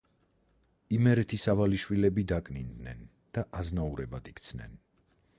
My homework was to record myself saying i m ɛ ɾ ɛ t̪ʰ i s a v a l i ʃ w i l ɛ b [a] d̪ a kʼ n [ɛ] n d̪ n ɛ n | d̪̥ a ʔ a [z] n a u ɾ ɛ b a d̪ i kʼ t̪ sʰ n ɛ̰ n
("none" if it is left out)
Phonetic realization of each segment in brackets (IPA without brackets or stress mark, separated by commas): i, i, z